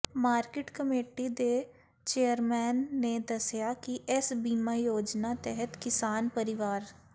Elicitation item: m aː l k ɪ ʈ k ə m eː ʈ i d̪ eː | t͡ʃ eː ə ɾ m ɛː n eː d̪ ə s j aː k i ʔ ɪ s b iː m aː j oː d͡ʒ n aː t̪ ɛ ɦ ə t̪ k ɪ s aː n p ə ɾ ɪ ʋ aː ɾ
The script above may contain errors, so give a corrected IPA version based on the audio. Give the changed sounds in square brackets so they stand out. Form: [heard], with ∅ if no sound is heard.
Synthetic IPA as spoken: m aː [ɾ] k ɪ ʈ k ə m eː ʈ i d̪ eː | t͡ʃ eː ə ɾ m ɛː [nː] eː d̪ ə s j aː k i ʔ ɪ s b iː m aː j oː d͡ʒ n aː t̪ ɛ ɦ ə t̪ k ɪ s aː n p ə ɾ ɪ ʋ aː ɾ